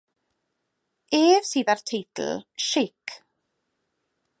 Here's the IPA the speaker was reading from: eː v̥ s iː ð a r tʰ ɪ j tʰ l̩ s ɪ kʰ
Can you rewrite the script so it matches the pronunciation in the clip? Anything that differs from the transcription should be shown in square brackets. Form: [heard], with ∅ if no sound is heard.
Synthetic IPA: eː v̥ s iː ð a r tʰ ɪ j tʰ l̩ [ʃ] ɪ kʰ